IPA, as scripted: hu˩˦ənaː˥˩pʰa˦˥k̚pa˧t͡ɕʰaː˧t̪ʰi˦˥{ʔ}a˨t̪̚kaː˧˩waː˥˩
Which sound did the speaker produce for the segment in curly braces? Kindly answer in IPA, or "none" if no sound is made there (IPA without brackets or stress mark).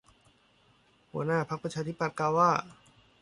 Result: p